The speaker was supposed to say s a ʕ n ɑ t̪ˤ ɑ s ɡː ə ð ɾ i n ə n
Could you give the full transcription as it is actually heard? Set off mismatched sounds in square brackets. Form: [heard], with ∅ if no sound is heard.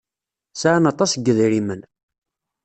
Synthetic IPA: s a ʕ n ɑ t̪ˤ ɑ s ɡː ə ð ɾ i [m] ə n